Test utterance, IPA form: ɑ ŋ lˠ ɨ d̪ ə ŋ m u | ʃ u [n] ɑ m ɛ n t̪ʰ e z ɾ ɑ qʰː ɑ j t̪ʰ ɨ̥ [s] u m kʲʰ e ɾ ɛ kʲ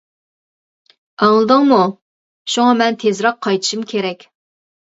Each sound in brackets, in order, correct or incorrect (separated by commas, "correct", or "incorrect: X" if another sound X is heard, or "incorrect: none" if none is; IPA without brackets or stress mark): incorrect: ŋ, incorrect: ʃ